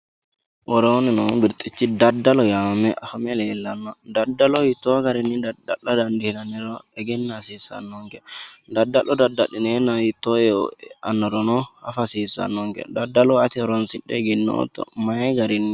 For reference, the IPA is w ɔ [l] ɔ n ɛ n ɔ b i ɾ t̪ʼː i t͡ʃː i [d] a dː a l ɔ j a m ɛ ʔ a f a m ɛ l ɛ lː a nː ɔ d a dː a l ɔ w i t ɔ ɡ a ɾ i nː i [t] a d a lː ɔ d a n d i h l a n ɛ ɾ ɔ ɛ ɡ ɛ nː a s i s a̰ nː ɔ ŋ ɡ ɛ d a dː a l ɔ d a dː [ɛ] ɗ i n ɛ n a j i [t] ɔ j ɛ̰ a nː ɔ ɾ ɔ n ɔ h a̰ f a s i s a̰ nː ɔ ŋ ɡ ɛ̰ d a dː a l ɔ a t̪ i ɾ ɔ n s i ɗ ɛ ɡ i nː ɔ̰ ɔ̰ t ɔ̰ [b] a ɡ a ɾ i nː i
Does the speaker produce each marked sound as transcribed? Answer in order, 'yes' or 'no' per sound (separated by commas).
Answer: no, yes, no, no, yes, no